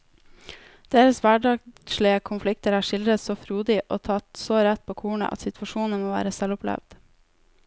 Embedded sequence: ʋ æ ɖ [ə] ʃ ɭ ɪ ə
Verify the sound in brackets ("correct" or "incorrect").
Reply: incorrect